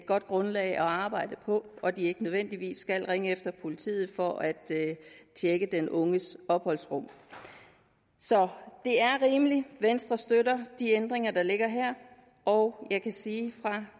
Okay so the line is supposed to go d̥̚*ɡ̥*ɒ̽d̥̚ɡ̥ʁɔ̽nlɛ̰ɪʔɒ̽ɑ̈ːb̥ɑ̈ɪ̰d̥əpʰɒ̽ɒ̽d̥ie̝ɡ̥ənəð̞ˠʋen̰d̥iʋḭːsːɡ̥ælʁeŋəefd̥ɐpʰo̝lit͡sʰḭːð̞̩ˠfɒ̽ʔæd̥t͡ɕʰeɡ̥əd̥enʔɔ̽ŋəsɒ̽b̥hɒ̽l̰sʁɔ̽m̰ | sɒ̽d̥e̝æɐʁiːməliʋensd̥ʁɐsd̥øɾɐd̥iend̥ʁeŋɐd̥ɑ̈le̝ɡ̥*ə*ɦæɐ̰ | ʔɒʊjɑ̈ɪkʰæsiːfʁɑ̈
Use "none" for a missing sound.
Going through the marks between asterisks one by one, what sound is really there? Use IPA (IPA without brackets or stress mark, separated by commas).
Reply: ɡ̥, ɐ